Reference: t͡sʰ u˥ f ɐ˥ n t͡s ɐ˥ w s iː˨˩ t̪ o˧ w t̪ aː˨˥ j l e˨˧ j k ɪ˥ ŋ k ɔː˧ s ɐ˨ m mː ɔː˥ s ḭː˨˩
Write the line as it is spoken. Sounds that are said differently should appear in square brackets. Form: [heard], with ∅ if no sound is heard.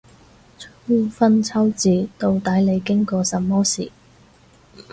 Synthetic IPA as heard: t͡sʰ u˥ f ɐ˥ n [t͡sʰ] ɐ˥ w [t͡s] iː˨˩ t̪ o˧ w t̪ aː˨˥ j l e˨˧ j k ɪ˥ ŋ k ɔː˧ s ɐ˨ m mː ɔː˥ s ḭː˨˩